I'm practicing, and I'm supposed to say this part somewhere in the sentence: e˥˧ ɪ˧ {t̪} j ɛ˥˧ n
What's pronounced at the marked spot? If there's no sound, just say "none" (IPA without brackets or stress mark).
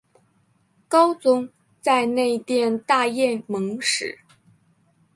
t̪